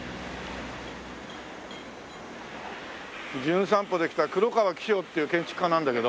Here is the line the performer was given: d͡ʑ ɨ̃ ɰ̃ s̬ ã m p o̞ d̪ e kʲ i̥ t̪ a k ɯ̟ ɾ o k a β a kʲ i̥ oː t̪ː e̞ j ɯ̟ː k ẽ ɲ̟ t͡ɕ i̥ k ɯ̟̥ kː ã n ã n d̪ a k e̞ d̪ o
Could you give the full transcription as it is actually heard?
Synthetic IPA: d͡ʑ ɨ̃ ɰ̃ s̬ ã m p o̞ d̪ e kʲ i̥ t̪ a k ɯ̟ ɾ o k a β a kʲ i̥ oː t̪ː e̞ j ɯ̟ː k ẽ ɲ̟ t͡ɕ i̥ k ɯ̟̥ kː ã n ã n d̪ a k e̞ d̪ o